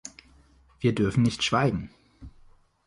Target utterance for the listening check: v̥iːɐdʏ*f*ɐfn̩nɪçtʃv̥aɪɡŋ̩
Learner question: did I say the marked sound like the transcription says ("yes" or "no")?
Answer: no